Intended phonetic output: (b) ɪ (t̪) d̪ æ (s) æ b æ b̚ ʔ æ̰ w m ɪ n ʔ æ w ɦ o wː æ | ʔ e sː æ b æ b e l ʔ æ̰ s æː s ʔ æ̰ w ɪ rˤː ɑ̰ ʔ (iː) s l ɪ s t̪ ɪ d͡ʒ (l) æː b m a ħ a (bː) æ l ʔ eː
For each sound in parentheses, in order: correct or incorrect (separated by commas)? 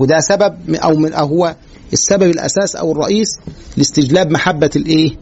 incorrect, incorrect, correct, correct, correct, correct